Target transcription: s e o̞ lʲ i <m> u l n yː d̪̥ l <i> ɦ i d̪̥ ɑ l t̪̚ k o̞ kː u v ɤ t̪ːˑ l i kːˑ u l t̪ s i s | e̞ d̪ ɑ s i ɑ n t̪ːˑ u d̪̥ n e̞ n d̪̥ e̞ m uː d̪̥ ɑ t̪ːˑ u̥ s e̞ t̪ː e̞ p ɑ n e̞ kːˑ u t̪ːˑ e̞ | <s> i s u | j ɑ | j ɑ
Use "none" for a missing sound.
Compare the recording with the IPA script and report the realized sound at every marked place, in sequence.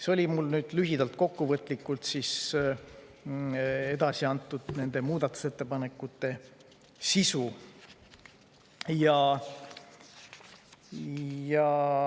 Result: m, y, s

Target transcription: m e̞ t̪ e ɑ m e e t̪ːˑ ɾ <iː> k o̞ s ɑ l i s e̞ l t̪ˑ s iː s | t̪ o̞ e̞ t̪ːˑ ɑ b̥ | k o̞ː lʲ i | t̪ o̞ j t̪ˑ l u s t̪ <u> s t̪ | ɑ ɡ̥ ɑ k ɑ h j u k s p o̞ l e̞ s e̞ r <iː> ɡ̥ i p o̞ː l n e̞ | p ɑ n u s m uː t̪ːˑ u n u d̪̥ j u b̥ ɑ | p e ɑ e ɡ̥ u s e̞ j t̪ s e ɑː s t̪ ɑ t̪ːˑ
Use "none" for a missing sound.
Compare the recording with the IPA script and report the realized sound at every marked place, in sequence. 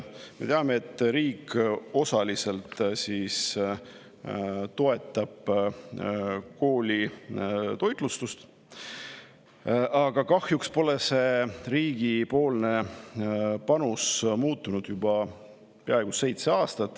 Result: iː, u, iː

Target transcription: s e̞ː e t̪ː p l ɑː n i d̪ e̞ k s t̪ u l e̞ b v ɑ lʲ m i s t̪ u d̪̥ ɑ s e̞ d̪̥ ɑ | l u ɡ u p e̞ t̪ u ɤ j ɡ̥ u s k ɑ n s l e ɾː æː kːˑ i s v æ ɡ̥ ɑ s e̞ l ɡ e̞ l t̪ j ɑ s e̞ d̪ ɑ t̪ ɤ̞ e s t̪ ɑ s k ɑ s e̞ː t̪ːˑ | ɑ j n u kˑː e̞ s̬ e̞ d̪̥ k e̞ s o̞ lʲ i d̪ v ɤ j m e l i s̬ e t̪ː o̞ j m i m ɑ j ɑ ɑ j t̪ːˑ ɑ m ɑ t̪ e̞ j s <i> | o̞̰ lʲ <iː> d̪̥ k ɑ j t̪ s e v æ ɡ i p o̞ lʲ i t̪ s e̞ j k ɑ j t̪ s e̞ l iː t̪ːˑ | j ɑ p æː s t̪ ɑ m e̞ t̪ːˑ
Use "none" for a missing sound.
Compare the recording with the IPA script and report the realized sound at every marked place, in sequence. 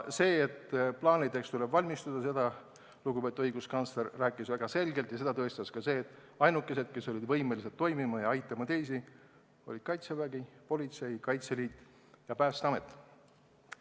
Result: i, i

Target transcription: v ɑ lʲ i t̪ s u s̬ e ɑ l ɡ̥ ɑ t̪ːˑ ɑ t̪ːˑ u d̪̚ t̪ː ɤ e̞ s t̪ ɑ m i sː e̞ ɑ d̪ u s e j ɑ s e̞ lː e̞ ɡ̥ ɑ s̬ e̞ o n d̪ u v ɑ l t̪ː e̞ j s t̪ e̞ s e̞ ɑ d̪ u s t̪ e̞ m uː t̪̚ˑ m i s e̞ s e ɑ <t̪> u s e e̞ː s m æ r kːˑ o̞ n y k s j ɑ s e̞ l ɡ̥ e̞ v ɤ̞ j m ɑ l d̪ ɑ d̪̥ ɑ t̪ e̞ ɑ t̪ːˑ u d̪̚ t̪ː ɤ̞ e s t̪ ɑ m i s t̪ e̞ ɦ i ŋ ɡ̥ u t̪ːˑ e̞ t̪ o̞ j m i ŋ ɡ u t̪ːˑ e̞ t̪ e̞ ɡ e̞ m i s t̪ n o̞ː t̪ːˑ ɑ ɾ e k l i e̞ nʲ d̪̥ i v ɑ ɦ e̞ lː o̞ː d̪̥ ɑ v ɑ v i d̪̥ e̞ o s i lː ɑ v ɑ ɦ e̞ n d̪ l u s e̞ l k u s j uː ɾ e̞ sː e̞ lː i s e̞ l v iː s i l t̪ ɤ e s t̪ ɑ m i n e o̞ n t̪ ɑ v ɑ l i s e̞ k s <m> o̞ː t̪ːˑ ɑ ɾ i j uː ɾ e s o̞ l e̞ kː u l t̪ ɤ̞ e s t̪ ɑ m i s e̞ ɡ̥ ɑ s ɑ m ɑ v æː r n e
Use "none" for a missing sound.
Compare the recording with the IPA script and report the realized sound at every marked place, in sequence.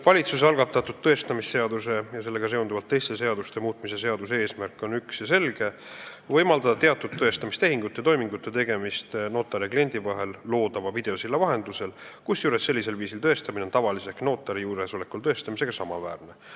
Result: d̪, n

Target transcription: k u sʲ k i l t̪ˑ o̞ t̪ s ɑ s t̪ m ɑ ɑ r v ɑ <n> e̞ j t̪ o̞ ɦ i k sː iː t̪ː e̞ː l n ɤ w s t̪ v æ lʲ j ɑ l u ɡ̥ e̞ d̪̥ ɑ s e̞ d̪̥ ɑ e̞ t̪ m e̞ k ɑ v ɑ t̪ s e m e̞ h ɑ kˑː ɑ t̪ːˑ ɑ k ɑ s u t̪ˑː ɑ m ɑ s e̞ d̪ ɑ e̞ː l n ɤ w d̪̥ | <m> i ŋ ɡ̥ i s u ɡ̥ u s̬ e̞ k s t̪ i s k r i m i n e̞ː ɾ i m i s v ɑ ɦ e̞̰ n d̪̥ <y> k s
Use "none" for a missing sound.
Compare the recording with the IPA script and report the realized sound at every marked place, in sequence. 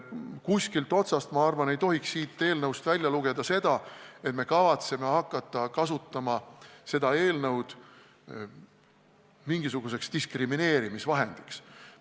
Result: n, m, i

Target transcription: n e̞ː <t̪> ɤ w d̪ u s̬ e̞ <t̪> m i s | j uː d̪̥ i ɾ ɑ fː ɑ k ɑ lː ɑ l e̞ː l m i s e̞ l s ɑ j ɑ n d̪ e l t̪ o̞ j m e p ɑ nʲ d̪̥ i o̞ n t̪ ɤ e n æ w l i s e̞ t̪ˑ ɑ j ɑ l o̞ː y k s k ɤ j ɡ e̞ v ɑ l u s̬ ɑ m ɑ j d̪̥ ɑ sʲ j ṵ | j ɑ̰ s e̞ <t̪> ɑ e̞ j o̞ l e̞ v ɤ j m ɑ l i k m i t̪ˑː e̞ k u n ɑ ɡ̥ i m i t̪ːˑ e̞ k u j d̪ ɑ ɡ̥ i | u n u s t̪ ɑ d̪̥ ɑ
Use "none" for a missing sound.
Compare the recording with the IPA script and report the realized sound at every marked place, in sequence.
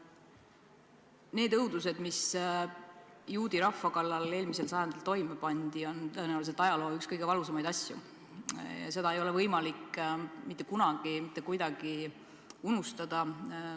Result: d̪, d̪, d̪

